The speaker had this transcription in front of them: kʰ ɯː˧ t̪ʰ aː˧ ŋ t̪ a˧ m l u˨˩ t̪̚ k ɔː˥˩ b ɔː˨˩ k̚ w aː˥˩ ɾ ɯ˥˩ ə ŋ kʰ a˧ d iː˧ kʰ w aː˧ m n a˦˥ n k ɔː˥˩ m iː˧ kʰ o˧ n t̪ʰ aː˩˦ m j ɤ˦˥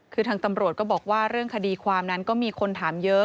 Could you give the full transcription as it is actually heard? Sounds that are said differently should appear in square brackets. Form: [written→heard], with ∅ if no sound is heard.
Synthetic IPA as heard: kʰ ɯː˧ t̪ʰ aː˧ ŋ t̪ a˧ m [l→ɾ] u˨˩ t̪̚ k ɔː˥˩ b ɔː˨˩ k̚ w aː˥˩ ɾ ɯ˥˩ ə ŋ kʰ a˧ d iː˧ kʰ w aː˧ m n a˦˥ n k ɔː˥˩ m iː˧ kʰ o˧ n t̪ʰ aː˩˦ m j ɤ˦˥